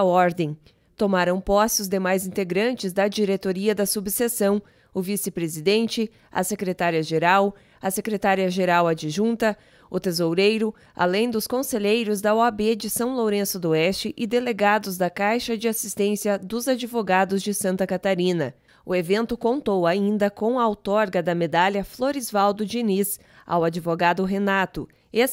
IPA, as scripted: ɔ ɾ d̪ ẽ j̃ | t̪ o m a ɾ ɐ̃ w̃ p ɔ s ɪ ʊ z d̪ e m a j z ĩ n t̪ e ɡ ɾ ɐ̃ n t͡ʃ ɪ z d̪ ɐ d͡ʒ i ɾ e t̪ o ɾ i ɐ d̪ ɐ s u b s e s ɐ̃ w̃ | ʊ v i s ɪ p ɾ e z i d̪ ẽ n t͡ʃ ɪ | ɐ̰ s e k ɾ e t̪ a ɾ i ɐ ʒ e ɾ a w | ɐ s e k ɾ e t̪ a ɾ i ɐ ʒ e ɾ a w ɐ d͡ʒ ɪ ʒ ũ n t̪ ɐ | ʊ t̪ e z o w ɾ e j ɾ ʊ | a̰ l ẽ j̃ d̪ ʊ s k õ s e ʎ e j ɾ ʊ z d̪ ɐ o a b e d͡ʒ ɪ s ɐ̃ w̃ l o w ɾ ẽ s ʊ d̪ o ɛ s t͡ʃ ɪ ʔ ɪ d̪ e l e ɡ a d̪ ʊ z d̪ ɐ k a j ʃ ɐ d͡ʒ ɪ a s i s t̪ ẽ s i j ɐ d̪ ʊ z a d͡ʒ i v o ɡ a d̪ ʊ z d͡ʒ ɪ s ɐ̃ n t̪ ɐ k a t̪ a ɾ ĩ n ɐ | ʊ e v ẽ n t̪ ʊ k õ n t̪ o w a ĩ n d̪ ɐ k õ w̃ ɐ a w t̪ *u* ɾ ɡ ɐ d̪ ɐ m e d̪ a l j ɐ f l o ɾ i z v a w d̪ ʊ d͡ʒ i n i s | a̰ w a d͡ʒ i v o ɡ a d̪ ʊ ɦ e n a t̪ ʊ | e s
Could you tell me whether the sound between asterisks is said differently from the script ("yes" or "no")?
yes